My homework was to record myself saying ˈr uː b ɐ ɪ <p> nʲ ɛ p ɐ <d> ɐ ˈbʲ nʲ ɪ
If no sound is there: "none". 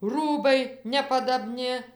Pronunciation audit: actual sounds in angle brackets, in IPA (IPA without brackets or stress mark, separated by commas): none, d